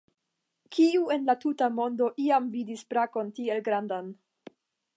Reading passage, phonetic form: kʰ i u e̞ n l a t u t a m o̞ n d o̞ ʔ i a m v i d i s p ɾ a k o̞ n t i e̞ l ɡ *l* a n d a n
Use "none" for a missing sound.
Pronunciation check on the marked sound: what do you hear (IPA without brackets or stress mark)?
ɾ